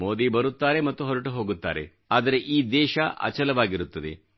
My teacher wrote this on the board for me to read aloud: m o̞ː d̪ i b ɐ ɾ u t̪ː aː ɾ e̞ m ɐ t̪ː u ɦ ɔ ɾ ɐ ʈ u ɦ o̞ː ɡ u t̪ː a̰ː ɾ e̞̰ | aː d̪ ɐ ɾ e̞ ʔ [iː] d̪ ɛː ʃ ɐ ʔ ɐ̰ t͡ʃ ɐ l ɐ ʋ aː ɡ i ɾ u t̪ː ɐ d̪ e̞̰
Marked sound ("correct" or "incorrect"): correct